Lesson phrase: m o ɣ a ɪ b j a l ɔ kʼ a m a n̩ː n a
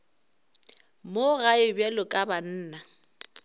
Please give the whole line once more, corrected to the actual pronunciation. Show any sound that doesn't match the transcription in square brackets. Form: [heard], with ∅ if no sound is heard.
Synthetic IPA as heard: m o ɣ a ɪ b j [ɛ] l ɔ kʼ a [b] a n̩ː n a